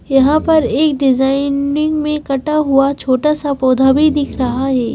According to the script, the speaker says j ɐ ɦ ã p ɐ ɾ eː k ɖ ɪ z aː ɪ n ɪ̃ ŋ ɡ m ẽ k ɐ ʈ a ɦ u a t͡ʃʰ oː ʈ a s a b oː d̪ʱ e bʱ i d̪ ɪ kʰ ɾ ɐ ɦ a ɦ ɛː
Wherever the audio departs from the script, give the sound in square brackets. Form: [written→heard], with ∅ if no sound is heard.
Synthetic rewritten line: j ɐ ɦ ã p ɐ ɾ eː k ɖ ɪ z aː ɪ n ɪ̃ ŋ ɡ m ẽ k ɐ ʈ a ɦ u a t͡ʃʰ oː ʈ a s a [b→p] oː d̪ʱ [e→a] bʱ i d̪ ɪ kʰ ɾ ɐ ɦ a ɦ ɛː

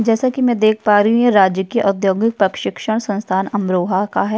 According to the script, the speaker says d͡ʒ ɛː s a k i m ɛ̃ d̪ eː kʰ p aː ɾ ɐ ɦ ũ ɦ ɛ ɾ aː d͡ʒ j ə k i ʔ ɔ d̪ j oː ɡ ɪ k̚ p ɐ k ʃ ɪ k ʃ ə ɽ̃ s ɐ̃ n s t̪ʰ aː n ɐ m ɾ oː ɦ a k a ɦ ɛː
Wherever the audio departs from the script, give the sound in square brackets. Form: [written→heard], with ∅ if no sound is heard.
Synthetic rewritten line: d͡ʒ ɛː s a k i m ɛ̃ d̪ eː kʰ p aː ɾ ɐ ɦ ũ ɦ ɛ ɾ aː d͡ʒ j ə k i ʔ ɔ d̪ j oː ɡ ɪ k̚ p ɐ k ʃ ɪ k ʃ ə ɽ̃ s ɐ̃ n s t̪ʰ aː n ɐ m ɾ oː ɦ a k a ɦ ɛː

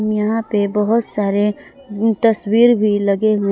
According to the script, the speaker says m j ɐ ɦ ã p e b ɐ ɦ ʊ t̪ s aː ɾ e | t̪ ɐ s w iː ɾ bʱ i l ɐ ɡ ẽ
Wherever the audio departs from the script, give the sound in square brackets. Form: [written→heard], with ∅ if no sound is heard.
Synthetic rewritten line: m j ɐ ɦ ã p e b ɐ ɦ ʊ t̪ s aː ɾ e | t̪ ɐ s w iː ɾ bʱ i l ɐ ɡ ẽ

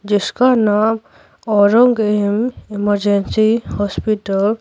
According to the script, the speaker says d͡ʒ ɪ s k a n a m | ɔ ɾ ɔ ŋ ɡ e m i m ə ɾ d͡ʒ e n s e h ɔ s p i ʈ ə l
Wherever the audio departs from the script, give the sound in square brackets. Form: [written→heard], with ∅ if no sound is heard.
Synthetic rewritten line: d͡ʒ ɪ s k a n a m | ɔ ɾ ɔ ŋ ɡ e m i m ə ɾ d͡ʒ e n s [e→i] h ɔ s p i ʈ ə l

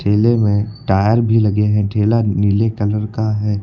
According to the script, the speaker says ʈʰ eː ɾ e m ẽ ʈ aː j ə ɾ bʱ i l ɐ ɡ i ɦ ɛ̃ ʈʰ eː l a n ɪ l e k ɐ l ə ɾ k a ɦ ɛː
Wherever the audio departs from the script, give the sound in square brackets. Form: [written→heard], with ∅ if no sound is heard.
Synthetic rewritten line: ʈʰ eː [ɾ→l] e m ẽ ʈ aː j ə ɾ bʱ i l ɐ ɡ [i→e] ɦ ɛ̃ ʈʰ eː l a n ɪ l e k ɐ l ə ɾ k a ɦ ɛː

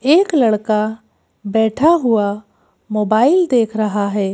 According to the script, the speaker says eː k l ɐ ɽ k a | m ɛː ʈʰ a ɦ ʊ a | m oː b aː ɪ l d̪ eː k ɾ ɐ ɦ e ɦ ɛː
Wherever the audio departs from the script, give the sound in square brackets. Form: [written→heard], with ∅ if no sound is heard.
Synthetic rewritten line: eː k l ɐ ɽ k a | [m→b] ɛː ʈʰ a ɦ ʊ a | m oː b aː ɪ l d̪ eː [k→kʰ] ɾ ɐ ɦ [e→a] ɦ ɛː

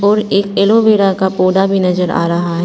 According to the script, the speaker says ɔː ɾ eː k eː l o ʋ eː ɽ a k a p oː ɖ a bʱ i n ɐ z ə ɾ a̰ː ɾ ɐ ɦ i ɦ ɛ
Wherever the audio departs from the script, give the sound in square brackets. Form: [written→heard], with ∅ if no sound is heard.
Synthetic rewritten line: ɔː ɾ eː k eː l o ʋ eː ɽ a k a p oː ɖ a bʱ i n ɐ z ə ɾ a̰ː ɾ ɐ ɦ [i→a] ɦ ɛ

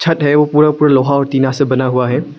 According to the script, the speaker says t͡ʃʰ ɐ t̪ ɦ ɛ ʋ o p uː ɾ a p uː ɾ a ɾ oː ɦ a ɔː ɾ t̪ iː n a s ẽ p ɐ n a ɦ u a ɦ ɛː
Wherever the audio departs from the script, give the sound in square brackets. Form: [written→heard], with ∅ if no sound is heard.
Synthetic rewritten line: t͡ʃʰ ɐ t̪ ɦ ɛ ʋ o p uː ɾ a p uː ɾ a [ɾ→l] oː ɦ a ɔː ɾ t̪ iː n a s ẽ [p→b] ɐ n a ɦ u a ɦ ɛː

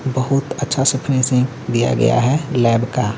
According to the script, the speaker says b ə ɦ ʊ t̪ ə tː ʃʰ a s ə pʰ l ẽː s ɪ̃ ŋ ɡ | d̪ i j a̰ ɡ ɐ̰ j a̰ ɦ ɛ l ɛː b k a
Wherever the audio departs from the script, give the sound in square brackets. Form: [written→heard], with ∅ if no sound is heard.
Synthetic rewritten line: b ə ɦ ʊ t̪ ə tː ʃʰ a s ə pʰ [l→ɾ] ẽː s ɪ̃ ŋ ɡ | d̪ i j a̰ ɡ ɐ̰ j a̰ ɦ ɛ l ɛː b k a

